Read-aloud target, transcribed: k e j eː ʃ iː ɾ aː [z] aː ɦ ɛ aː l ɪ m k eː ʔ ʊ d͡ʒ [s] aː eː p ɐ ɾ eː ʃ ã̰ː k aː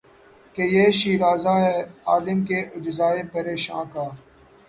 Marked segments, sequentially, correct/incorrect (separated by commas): correct, incorrect